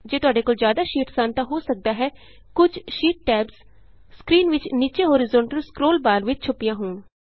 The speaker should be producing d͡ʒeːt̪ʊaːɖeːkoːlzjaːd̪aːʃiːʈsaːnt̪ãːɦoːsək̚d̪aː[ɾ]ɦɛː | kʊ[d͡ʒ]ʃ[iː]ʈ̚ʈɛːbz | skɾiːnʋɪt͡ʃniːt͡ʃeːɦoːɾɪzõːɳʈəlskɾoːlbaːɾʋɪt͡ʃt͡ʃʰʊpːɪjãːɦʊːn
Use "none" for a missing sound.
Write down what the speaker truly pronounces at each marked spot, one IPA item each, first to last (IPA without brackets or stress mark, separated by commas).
none, d͡ʒ, iː